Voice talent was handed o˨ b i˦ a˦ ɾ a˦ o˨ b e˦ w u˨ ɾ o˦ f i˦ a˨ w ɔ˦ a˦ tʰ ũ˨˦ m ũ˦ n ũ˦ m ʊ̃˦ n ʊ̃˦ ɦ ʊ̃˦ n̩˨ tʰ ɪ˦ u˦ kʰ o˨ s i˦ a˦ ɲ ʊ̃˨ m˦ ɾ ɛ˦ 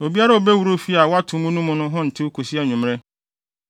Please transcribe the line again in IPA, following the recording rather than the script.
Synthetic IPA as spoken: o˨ b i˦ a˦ ɾ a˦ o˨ b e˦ w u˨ ɾ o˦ f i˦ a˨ w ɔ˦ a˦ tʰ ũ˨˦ m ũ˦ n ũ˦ m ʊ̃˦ n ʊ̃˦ ɦ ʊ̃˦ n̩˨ tʰ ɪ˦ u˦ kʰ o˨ s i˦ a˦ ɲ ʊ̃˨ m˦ ɾ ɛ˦

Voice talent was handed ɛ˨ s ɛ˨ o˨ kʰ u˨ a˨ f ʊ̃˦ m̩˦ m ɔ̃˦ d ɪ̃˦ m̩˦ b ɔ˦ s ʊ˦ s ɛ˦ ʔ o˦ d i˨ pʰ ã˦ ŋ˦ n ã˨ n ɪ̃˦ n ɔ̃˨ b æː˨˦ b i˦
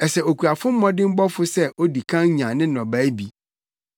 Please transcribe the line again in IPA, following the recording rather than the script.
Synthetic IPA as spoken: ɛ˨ s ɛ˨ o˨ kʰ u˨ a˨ f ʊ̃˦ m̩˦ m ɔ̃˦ d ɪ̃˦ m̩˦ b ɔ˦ f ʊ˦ s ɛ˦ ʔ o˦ d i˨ kʰ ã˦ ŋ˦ ɲ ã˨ n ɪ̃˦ n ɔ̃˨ b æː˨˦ b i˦

